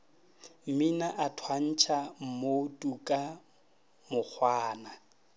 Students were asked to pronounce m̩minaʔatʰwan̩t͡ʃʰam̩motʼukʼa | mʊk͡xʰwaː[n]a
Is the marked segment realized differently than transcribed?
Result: no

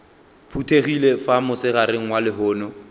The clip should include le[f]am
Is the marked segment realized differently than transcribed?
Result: no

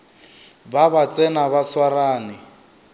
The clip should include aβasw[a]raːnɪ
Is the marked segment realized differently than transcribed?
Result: no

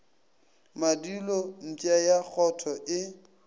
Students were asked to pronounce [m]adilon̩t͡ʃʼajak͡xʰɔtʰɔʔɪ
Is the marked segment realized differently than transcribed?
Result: no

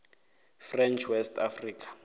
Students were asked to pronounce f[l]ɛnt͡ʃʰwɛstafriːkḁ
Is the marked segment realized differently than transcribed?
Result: yes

